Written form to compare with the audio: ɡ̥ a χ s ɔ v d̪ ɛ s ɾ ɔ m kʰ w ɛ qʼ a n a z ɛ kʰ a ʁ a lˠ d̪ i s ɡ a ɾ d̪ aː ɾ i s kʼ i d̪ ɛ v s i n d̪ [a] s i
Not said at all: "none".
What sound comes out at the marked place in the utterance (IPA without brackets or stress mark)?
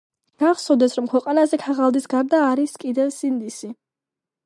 i